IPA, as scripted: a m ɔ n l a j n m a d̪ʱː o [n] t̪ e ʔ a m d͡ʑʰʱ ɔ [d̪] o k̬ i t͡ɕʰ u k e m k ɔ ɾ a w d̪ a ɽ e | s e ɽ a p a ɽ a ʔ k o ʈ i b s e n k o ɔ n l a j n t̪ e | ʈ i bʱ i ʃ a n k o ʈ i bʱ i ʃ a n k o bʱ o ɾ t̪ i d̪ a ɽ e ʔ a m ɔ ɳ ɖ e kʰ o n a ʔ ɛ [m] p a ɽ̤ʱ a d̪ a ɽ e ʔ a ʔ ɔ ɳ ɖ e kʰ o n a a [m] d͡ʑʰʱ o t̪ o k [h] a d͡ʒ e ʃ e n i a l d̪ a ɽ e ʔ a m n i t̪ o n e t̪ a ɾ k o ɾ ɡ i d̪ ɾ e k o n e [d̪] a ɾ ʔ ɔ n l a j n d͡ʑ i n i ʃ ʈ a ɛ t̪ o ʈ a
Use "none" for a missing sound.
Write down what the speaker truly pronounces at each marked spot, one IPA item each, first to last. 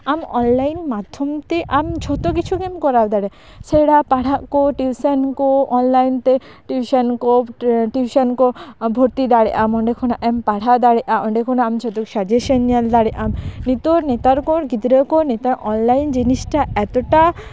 m, t̪, m, m, ʃ, t̪

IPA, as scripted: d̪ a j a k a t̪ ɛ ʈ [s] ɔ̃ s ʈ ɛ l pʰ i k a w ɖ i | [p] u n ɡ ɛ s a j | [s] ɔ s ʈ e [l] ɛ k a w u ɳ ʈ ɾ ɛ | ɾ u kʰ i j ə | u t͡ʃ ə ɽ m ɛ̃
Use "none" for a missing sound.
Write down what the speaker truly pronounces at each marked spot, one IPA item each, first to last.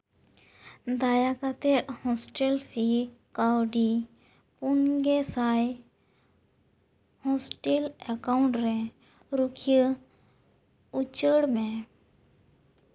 h, p, h, l

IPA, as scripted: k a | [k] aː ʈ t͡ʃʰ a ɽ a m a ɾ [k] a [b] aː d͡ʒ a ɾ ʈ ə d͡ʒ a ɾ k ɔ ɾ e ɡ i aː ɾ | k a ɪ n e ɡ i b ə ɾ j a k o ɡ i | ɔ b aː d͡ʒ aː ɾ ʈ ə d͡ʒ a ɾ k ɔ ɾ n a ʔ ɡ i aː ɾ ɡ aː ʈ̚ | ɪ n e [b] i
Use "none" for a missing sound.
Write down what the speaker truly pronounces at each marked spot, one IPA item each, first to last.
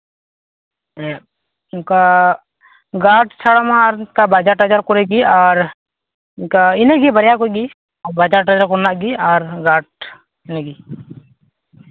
ɡ, k, b, ɡ

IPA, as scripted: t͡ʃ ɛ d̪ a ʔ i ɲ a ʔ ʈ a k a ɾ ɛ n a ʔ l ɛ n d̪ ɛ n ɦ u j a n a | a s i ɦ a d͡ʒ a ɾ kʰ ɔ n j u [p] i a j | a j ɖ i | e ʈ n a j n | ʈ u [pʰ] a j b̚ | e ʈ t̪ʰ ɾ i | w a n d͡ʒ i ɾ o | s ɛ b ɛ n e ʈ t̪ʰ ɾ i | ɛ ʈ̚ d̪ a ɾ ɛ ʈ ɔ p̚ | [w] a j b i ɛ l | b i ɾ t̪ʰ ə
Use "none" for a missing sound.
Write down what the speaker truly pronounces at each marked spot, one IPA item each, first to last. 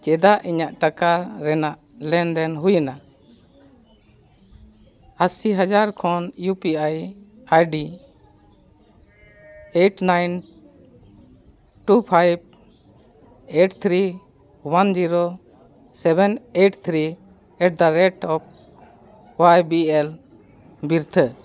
p, pʰ, w

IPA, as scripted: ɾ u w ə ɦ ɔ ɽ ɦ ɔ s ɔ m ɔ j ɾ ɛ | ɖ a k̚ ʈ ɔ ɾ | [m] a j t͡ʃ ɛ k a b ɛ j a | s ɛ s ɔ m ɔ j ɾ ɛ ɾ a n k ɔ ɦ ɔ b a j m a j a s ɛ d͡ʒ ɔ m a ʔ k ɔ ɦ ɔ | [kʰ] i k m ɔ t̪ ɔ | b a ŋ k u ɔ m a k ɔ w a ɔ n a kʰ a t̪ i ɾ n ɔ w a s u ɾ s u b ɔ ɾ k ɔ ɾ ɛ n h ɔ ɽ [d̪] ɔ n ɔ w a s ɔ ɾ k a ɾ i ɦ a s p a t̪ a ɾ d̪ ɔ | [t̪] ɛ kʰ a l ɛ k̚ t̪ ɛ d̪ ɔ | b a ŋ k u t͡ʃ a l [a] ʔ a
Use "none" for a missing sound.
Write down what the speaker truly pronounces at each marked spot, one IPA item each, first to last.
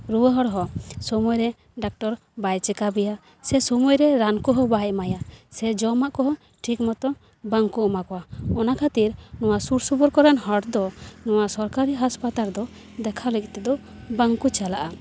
b, ʈʰ, d̪, d̪, a

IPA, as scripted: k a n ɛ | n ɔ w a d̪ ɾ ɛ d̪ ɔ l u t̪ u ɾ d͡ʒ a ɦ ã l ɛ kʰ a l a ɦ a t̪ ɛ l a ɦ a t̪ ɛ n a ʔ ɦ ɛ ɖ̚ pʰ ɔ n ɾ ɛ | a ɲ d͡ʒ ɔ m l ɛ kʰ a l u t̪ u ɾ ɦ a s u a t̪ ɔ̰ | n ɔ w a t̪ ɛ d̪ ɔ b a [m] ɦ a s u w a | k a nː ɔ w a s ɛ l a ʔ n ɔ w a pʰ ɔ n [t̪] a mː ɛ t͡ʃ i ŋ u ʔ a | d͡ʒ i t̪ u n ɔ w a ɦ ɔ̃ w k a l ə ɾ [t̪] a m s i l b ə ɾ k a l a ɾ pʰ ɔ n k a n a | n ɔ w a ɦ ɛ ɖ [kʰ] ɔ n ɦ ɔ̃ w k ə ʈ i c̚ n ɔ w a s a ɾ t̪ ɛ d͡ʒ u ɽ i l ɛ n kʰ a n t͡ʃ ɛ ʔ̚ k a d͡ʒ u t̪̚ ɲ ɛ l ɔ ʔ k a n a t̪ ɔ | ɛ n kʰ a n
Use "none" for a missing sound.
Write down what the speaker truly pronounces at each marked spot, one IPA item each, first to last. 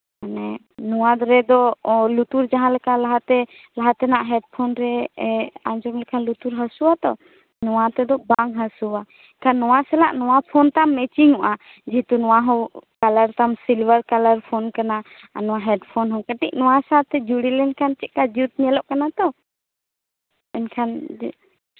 ŋ, t̪, t̪, pʰ

